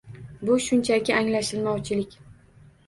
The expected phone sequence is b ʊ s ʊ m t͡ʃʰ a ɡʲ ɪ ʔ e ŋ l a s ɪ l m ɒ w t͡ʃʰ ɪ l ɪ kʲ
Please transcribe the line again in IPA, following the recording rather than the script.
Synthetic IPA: b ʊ ʃ ʊ n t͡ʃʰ a kʲ ɪ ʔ a ŋ l a ʃ ɪ l m ɒ w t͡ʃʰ ɪ l ɪ kʲ